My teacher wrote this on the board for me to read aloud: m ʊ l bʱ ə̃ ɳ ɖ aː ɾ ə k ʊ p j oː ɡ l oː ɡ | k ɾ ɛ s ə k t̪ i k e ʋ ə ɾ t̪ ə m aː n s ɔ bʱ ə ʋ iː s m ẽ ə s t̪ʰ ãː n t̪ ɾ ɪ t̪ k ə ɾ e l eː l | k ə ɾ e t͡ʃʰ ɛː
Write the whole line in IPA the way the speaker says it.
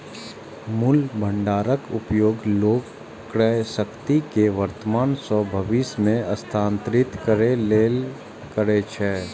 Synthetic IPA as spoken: m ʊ l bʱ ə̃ ɳ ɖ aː ɾ ə k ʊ p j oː ɡ l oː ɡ | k ɾ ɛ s ə k t̪ i k e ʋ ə ɾ t̪ ə m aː n s ɔ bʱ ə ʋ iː s m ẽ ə s t̪ʰ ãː n t̪ ɾ ɪ t̪ k ə ɾ e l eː l | k ə ɾ e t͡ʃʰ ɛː